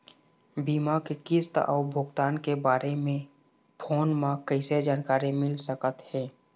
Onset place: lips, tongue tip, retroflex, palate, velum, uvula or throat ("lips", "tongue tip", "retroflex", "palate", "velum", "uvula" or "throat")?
lips